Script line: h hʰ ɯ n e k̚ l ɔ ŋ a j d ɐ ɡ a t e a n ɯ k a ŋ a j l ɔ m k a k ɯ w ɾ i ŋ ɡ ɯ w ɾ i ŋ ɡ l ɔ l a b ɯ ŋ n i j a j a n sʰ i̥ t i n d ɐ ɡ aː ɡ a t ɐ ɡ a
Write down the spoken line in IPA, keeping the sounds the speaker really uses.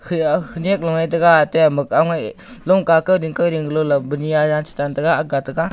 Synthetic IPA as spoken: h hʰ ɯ n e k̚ l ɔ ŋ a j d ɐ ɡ a t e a m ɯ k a ŋ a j l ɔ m k a k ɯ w ɾ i ŋ k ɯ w ɾ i ŋ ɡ l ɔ l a b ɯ n i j a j a n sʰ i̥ t a n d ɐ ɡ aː ɡ a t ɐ ɡ a